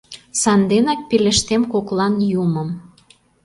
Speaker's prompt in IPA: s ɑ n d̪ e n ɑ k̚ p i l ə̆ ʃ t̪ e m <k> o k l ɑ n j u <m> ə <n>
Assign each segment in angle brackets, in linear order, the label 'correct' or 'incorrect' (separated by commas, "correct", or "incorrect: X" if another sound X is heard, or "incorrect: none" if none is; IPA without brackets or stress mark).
correct, correct, incorrect: m